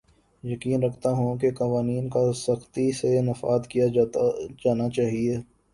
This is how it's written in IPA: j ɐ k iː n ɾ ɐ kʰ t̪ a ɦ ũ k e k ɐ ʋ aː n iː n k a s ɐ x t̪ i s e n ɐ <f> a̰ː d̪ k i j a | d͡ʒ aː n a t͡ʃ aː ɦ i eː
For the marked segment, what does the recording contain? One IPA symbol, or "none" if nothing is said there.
f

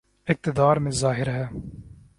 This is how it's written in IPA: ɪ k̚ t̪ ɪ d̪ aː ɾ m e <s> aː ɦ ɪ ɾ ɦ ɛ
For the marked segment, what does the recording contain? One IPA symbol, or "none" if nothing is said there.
z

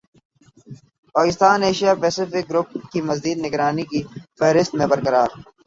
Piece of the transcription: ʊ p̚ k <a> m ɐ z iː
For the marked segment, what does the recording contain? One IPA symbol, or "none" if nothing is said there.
i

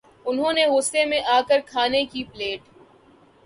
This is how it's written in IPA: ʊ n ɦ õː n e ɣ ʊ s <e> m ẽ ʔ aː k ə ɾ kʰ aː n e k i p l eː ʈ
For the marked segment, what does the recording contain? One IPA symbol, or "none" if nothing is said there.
e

